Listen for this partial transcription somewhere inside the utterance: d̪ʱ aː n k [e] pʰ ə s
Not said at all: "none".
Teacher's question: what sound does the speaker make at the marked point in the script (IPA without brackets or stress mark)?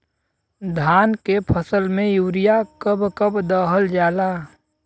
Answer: e